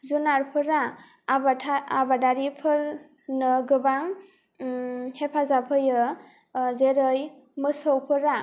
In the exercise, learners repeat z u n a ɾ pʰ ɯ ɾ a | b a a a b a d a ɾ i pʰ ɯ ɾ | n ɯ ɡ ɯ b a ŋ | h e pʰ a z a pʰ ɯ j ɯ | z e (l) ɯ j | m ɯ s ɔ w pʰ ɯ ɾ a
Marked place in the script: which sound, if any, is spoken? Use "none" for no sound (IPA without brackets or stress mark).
ɾ